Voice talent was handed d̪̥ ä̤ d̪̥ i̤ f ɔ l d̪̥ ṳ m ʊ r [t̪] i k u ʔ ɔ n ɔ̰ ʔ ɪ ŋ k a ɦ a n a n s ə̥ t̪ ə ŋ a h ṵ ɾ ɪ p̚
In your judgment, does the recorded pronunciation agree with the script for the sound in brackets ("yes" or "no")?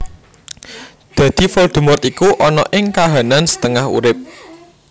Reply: yes